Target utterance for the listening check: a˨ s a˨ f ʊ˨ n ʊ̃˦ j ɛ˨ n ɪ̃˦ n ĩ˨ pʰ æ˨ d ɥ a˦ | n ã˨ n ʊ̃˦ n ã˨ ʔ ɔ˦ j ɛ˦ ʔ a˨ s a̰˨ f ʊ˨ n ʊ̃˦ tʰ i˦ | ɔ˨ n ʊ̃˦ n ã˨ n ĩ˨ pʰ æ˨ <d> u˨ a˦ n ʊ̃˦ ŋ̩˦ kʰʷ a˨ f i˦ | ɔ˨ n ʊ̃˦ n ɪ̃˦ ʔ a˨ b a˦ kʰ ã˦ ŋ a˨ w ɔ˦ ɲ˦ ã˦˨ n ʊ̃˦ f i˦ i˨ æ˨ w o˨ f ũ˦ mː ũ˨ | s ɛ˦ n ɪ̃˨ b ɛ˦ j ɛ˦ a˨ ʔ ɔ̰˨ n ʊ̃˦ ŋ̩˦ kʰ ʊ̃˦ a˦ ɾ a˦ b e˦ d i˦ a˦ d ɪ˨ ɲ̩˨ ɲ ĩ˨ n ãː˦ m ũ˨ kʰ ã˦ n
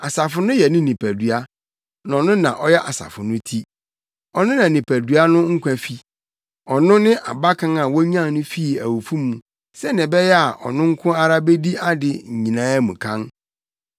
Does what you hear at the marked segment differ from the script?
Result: no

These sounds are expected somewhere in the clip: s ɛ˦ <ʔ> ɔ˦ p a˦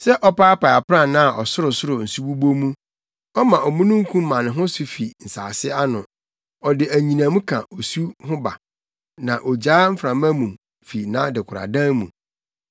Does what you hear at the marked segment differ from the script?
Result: no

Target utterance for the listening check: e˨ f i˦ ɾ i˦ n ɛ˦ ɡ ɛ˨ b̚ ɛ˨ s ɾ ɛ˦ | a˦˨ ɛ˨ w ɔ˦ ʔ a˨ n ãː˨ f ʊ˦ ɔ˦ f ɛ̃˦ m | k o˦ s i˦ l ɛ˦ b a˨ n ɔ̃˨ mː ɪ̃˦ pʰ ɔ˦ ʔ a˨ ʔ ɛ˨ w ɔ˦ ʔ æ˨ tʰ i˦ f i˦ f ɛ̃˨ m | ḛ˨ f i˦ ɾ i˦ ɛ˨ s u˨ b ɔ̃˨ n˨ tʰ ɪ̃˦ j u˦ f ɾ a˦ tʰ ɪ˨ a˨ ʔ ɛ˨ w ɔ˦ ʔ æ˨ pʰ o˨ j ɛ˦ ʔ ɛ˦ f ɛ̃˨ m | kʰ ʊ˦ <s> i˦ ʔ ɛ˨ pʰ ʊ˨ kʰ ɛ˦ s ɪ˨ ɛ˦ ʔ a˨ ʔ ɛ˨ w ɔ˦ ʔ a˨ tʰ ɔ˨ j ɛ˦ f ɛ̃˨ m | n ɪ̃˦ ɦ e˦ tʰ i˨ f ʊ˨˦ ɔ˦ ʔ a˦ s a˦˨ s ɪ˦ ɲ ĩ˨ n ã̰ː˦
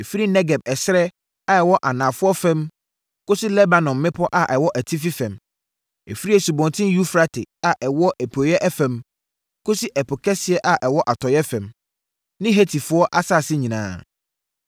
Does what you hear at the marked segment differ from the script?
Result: no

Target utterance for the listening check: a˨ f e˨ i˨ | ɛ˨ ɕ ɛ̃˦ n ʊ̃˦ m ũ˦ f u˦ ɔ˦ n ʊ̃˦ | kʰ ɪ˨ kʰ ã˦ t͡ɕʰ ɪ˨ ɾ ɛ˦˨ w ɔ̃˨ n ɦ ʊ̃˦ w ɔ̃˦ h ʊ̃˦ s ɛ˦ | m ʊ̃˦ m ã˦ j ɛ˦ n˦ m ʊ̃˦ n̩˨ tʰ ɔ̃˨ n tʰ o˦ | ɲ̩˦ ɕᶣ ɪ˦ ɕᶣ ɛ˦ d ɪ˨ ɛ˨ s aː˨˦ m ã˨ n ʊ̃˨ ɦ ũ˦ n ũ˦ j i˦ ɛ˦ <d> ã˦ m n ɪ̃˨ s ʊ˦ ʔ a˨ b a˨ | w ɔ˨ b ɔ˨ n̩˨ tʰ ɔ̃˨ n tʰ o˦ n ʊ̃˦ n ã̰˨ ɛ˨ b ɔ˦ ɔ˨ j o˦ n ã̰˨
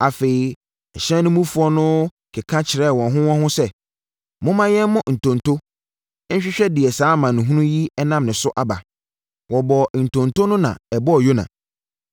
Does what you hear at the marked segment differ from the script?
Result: yes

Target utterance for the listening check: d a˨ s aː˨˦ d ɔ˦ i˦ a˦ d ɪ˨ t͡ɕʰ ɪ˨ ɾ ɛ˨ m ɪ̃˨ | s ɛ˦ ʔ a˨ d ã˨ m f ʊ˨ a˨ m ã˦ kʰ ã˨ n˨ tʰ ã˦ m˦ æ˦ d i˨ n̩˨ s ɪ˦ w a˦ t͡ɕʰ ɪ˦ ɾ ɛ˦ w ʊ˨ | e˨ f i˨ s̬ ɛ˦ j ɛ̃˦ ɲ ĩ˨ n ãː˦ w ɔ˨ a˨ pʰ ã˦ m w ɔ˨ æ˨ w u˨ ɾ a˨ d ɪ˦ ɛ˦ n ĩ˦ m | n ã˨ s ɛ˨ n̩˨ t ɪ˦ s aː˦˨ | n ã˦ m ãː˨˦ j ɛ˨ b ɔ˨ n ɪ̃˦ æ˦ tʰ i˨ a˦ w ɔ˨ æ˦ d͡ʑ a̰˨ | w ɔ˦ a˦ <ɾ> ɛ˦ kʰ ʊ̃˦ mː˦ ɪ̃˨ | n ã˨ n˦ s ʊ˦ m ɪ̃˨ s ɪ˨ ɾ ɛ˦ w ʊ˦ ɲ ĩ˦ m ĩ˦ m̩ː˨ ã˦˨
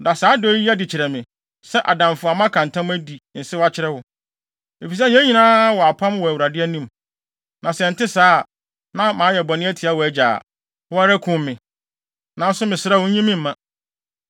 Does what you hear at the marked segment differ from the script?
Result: no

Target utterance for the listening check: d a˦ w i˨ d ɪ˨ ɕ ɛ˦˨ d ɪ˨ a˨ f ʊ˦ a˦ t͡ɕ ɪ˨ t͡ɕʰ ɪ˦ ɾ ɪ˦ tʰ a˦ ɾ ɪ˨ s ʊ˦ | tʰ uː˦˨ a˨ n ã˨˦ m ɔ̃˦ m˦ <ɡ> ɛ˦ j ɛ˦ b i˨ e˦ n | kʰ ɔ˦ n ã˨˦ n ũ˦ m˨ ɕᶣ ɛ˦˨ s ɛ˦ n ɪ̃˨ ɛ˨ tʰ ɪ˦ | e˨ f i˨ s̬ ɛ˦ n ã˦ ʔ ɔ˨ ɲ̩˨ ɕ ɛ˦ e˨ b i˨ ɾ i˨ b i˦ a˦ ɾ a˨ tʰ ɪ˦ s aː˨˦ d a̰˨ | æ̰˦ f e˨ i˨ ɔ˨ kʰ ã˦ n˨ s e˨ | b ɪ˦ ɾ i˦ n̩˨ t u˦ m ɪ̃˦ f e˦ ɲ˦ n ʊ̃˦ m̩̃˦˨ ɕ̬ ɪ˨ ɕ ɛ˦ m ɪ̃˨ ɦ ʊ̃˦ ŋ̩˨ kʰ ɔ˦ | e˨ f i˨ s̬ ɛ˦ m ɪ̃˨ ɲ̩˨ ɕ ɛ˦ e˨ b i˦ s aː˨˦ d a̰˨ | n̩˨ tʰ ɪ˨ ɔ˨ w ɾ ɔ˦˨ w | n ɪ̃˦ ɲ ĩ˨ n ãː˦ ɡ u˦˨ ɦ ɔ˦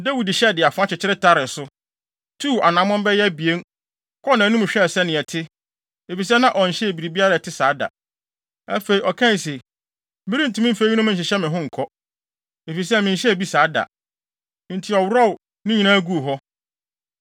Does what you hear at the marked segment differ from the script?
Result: yes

